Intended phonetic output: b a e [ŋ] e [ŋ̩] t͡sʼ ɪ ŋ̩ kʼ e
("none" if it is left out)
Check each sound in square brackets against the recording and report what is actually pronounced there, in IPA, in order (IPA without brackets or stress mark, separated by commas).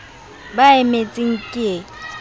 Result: m, none